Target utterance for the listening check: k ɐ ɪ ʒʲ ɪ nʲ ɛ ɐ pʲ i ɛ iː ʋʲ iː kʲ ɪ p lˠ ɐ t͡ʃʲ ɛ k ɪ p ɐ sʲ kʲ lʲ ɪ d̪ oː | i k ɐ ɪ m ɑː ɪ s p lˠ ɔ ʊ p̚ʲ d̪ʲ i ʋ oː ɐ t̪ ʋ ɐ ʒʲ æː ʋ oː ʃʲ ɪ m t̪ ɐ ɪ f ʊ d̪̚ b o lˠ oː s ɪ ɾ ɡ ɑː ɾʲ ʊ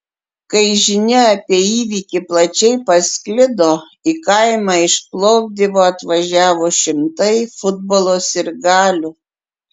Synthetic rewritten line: k ɐ ɪ ʒʲ ɪ nʲ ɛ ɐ pʲ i ɛ iː ʋʲ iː kʲ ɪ p lˠ ɐ t͡ʃʲ ɛ ɪ p ɐ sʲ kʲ lʲ ɪ d̪ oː | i k ɐ ɪ m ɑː ɪ ʃ p lˠ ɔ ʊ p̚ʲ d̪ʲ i ʋ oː ɐ t̪ ʋ ɐ ʒʲ æː ʋ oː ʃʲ ɪ m t̪ ɐ ɪ f ʊ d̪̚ b o lˠ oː s ɪ ɾ ɡ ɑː lʲ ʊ